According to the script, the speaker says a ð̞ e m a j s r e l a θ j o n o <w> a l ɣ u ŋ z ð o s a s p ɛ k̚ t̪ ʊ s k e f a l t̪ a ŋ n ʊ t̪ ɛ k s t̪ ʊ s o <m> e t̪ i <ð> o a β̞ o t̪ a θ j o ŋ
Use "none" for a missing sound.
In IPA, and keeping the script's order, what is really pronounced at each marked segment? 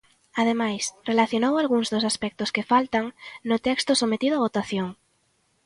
w, m, ð

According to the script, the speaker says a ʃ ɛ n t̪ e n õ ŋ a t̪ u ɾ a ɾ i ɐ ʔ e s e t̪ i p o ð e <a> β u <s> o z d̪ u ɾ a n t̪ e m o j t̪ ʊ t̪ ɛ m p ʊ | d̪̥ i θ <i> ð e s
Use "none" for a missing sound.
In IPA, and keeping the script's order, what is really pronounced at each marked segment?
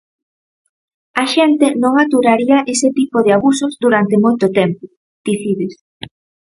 a, s, i

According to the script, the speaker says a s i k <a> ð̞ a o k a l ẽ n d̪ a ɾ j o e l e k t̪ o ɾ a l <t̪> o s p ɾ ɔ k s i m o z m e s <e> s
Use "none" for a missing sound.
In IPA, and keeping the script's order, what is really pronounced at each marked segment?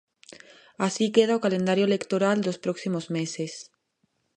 e, d̪, e

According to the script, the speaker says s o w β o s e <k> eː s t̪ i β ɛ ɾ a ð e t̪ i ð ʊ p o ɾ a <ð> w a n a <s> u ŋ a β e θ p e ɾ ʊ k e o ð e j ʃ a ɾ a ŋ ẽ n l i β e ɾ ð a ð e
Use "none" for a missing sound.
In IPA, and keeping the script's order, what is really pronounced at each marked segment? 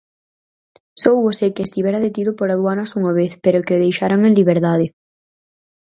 k, ð, s

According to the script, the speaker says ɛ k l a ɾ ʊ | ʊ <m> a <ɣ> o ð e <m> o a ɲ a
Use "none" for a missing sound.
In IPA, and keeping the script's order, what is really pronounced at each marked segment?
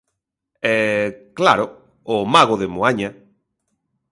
m, ɣ, m

